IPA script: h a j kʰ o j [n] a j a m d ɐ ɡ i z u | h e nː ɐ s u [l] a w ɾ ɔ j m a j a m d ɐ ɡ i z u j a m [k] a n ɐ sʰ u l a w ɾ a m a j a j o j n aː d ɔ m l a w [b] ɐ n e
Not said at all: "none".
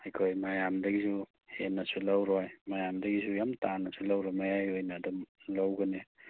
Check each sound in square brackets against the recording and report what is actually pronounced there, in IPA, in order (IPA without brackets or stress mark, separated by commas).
m, l, t, ɡ